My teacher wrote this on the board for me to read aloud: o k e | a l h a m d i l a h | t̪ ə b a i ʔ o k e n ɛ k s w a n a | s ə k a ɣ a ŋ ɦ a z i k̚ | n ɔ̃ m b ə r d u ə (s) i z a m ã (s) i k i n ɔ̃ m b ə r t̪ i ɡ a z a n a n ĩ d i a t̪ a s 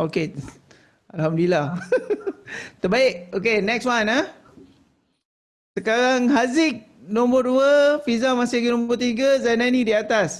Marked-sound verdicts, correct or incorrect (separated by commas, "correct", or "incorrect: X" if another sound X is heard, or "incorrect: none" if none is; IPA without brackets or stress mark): incorrect: f, correct